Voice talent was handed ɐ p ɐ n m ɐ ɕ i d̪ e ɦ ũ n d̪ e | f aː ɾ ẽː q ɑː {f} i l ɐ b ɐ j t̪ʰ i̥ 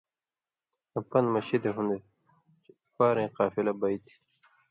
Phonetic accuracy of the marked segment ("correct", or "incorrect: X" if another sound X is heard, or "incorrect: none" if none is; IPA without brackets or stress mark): correct